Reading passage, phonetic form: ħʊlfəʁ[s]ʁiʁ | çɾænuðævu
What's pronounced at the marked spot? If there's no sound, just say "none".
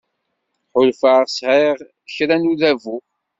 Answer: s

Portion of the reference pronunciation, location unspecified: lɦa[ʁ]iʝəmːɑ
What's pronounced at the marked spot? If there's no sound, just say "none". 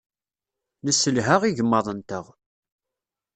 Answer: ʁ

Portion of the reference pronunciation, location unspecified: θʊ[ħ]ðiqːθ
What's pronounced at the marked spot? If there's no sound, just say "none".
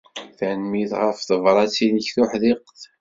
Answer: ħ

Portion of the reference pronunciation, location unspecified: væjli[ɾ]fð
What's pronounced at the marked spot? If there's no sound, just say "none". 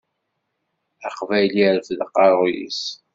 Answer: ɾ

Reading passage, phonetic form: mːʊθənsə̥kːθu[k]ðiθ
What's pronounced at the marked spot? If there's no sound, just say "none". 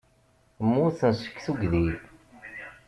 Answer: ɡ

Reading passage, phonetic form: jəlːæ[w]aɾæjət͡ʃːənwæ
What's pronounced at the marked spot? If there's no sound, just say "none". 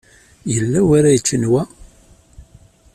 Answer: w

